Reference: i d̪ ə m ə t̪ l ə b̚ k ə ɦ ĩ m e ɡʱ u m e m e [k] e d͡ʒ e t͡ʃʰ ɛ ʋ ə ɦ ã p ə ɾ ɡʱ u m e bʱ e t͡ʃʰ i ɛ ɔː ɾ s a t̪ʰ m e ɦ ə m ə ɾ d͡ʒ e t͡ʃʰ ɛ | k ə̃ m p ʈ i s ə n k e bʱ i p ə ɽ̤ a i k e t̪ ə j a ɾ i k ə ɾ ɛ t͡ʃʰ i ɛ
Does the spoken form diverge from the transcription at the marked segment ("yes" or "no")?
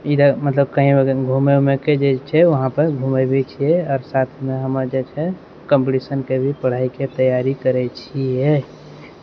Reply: no